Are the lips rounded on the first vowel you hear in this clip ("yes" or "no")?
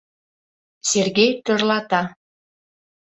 no